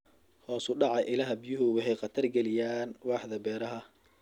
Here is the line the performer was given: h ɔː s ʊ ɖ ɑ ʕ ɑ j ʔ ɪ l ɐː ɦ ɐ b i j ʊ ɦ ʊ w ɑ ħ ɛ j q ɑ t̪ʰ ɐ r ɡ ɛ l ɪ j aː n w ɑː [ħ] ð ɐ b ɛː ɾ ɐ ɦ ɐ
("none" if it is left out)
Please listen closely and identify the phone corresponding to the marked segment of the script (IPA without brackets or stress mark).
ħ